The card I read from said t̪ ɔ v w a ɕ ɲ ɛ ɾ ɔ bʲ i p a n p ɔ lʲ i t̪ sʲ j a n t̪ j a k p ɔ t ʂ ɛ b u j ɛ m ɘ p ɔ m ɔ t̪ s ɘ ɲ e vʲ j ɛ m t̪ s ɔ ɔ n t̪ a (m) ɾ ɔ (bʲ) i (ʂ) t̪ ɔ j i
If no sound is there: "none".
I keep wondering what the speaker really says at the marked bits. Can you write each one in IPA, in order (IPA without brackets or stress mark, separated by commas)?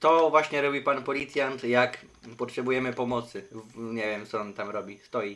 m, bʲ, s